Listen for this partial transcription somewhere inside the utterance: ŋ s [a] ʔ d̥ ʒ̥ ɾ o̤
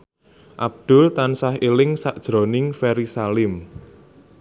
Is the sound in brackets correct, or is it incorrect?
correct